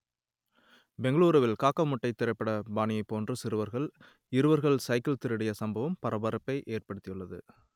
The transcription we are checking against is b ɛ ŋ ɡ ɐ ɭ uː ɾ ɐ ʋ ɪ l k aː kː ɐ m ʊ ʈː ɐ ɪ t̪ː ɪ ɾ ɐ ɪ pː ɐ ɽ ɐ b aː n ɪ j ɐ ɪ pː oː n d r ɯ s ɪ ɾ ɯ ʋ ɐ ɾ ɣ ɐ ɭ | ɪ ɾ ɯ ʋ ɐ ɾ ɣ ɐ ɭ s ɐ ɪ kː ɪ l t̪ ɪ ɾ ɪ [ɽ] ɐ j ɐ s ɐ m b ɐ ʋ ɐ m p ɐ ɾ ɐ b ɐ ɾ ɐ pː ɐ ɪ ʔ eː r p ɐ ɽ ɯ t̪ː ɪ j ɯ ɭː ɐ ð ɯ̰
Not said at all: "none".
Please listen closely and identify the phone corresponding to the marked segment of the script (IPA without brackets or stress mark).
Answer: ɽ